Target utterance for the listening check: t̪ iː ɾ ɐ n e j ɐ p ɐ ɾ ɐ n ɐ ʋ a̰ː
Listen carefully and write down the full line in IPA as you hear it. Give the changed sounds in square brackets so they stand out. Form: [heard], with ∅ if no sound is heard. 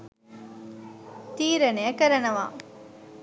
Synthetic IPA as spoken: t̪ iː ɾ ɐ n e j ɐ [k] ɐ ɾ ɐ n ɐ ʋ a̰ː